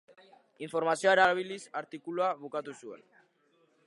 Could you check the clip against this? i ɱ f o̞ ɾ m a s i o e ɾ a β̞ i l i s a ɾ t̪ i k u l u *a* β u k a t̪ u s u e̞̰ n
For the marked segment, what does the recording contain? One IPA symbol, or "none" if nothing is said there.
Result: a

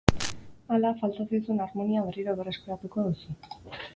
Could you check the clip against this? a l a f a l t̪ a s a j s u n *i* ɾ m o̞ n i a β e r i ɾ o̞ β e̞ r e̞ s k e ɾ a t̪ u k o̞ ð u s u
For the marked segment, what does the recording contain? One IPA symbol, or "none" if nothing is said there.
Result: a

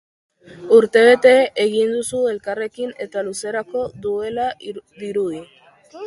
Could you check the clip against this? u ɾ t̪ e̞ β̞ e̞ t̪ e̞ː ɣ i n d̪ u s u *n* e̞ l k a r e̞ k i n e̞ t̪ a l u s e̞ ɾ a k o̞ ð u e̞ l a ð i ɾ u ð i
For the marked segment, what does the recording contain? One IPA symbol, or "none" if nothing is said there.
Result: none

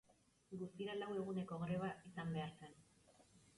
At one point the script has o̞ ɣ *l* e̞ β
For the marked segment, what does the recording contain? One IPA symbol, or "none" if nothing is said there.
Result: ɾ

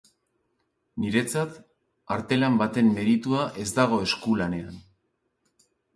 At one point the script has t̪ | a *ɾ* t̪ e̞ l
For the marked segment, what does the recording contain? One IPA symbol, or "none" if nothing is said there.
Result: ɾ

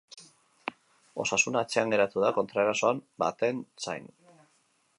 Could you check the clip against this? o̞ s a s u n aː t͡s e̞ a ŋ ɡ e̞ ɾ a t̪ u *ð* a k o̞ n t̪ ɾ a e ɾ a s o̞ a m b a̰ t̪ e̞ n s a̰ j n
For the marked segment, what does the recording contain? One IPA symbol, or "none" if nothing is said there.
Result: ð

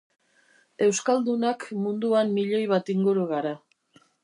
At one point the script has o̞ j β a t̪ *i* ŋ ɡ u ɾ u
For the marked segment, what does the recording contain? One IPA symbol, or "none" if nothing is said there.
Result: i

